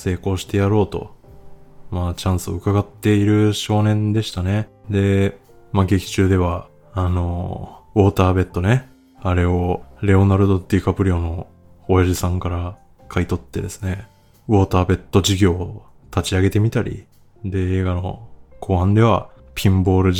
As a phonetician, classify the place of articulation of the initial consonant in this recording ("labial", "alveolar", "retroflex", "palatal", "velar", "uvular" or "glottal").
alveolar